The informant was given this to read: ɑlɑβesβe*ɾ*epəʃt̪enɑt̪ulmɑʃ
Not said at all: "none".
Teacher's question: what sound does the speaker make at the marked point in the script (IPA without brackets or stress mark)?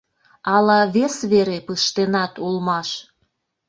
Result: ɾ